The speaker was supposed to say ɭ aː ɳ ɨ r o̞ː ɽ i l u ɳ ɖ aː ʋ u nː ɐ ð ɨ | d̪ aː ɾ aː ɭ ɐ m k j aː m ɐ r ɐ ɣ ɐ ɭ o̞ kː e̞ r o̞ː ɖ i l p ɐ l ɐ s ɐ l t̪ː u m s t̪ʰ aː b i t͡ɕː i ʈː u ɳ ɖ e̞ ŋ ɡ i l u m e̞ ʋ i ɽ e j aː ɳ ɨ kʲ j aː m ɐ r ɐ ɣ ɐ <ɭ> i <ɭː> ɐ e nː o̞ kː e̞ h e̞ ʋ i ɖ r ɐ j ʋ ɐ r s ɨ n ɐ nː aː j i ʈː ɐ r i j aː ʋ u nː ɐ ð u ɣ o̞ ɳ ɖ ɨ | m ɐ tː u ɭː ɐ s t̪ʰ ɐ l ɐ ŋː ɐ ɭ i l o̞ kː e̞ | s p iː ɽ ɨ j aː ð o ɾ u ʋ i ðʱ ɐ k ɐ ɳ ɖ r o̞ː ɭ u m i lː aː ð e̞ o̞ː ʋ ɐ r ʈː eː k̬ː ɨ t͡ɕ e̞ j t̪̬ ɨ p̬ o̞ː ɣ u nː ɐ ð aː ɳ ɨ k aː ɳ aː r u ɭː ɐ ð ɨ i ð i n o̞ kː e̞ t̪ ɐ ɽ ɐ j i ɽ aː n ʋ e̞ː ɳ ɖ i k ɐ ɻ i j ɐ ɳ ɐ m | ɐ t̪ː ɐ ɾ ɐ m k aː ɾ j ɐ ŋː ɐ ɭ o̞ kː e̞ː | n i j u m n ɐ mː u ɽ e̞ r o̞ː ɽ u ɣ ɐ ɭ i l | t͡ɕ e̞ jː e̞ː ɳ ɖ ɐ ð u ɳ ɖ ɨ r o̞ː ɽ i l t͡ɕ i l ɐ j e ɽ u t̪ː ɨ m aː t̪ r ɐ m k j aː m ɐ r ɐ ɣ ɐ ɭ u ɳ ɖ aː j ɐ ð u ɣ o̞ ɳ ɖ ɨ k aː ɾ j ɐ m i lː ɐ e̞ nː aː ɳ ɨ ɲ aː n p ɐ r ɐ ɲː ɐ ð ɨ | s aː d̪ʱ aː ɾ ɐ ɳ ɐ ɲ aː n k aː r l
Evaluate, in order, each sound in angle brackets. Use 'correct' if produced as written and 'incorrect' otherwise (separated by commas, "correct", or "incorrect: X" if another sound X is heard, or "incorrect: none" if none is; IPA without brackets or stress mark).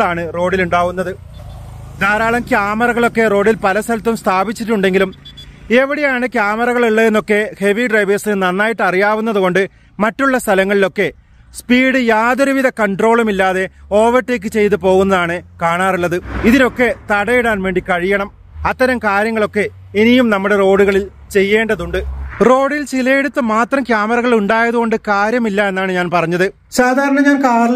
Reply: correct, correct